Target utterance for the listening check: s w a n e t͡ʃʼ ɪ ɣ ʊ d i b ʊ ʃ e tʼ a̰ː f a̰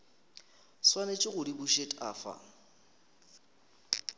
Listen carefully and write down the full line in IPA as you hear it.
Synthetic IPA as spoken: s w a n e t͡ʃʼ ɪ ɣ ʊ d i b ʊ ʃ e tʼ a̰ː f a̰